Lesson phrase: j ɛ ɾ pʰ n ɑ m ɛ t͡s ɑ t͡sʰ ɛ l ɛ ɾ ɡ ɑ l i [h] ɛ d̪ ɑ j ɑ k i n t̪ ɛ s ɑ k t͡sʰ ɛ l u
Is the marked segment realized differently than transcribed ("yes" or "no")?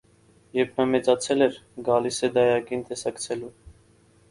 yes